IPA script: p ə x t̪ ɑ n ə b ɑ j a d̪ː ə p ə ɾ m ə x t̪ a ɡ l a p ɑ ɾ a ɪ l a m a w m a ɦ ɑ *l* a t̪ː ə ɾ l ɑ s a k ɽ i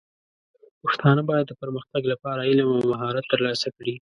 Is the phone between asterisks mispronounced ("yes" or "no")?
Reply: yes